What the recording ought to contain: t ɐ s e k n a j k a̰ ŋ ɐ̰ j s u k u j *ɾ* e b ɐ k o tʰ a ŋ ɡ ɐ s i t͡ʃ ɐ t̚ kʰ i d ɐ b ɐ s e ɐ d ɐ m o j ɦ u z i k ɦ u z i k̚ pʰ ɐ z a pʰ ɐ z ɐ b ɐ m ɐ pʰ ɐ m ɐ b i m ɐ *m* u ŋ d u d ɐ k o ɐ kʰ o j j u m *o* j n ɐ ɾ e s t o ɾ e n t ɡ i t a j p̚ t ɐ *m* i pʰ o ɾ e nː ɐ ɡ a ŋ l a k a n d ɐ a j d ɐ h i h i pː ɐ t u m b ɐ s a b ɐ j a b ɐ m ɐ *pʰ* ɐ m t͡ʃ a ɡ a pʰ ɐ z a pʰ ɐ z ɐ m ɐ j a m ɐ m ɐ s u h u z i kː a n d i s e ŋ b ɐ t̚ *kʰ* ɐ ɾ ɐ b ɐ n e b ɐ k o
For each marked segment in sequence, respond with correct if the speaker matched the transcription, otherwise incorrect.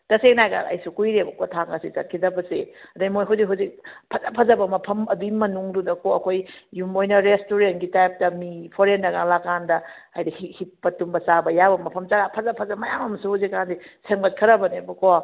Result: correct, incorrect, correct, correct, correct, correct

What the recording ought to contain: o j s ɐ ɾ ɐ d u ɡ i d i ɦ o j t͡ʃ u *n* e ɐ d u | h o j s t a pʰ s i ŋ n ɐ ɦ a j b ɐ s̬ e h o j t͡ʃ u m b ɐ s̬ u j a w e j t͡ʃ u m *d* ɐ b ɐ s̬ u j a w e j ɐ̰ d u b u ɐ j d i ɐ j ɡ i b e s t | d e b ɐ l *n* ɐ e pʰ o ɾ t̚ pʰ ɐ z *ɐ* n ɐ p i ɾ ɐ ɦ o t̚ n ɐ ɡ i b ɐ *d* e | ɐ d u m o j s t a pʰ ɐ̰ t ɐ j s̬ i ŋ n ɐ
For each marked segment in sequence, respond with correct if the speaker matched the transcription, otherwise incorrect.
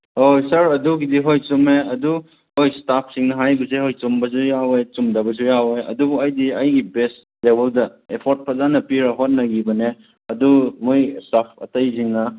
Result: incorrect, correct, incorrect, incorrect, incorrect

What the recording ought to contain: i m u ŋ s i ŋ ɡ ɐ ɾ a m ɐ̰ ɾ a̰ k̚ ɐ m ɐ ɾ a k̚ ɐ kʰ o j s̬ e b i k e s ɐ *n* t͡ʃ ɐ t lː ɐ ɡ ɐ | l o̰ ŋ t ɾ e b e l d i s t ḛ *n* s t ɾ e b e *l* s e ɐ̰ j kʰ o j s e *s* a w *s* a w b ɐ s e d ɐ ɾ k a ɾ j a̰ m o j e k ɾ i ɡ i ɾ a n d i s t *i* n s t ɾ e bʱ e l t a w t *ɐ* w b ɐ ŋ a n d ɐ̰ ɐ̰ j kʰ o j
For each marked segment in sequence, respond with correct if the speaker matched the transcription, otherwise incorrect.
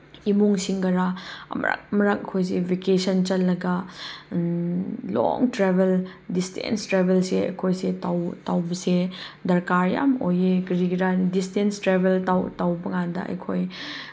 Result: correct, correct, correct, incorrect, incorrect, incorrect, incorrect

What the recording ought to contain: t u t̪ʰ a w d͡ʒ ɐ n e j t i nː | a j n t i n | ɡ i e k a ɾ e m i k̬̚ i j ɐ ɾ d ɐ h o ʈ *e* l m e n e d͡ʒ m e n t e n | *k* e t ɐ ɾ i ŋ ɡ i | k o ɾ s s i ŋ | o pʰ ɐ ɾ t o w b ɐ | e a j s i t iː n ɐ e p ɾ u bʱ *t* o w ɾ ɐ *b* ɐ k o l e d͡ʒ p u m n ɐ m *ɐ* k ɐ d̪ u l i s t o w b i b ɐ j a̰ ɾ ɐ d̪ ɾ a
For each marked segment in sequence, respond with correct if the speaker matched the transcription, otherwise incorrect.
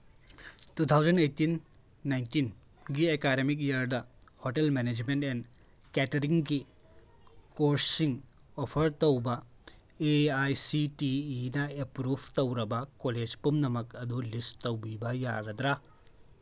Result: correct, correct, correct, correct, correct

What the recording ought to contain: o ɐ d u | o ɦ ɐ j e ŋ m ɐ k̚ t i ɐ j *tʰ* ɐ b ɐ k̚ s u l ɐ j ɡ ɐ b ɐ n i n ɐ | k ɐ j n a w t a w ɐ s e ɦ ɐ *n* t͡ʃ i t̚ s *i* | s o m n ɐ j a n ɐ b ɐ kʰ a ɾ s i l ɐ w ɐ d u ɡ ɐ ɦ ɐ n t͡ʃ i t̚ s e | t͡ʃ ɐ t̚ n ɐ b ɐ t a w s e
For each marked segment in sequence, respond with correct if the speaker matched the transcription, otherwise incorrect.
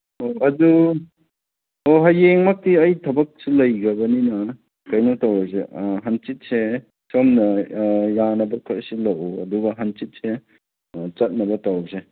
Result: correct, correct, incorrect

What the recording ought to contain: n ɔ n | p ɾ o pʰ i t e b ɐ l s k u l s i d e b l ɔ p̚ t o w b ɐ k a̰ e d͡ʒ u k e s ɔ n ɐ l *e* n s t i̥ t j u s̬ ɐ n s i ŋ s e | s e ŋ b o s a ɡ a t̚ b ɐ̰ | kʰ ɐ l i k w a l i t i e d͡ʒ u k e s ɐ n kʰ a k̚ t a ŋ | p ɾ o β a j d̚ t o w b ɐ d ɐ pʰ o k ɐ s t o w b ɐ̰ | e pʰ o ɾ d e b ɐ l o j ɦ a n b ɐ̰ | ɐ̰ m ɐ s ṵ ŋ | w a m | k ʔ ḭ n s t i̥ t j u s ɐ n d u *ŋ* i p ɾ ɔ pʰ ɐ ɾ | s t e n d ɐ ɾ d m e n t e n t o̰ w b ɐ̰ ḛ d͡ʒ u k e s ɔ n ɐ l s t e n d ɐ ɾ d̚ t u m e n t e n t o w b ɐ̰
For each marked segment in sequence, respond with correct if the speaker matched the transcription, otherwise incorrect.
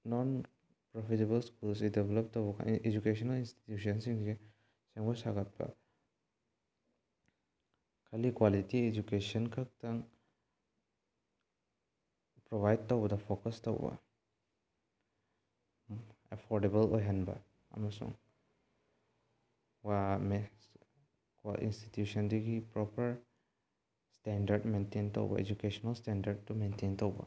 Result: incorrect, incorrect

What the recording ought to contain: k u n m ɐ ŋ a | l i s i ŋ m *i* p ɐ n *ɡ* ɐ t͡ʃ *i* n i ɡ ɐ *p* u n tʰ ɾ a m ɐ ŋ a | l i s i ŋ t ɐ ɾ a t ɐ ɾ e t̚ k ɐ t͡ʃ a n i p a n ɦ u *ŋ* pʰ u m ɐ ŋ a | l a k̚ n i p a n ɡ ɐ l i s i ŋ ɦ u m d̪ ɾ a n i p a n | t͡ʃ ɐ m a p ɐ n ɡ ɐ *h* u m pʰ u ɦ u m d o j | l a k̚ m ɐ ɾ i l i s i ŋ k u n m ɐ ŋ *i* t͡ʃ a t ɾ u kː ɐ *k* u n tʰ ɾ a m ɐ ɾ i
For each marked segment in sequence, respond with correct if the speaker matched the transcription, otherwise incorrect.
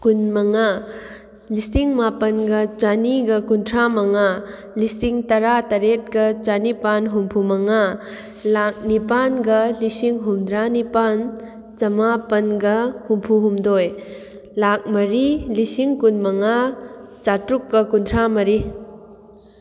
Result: incorrect, correct, incorrect, incorrect, incorrect, correct, incorrect, correct

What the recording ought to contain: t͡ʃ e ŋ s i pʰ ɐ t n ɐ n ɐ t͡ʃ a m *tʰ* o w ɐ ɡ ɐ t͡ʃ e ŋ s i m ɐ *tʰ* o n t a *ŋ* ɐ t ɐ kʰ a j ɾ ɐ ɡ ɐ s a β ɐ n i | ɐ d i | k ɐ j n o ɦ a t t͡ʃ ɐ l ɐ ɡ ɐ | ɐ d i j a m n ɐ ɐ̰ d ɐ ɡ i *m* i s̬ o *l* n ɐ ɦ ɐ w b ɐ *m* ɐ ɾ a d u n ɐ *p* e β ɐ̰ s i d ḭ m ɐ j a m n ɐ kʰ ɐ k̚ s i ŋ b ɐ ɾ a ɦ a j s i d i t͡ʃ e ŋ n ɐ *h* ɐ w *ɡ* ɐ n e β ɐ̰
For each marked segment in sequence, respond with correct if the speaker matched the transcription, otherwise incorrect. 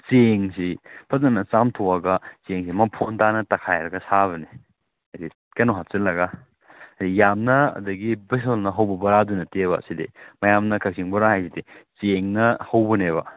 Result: correct, incorrect, incorrect, incorrect, correct, incorrect, incorrect, correct, incorrect

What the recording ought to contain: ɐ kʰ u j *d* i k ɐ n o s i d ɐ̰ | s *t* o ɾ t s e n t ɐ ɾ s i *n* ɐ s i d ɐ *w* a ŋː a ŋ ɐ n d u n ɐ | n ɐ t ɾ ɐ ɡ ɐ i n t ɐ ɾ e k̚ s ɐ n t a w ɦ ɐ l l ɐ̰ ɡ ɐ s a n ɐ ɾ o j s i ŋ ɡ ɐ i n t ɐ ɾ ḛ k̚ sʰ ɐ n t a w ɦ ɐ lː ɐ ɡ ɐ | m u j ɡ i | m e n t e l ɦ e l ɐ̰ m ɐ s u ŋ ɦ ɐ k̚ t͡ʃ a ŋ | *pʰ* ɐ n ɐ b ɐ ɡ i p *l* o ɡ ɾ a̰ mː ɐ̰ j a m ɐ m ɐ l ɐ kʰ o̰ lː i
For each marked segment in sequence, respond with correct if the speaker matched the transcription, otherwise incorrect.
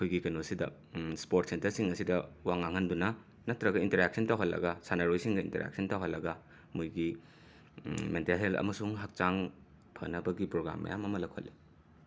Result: incorrect, incorrect, incorrect, correct, correct, incorrect

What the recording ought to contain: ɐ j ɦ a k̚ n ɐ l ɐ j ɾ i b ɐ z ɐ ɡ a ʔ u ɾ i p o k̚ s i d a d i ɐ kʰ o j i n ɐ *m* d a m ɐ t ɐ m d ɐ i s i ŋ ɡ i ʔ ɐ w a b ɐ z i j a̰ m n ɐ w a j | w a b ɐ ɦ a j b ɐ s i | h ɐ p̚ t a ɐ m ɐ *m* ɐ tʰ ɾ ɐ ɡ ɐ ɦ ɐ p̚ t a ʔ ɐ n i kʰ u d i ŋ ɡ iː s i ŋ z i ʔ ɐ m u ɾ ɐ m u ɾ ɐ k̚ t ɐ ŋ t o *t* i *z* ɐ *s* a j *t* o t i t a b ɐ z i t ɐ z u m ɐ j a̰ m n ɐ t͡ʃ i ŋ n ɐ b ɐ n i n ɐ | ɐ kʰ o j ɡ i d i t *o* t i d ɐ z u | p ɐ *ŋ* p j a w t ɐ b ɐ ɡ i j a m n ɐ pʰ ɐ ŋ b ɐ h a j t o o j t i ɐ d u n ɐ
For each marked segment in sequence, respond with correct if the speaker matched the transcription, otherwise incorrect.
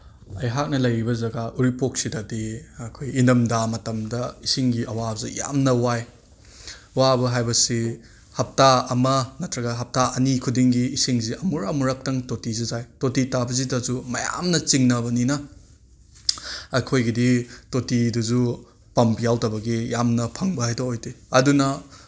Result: correct, incorrect, correct, correct, incorrect, correct, correct, incorrect

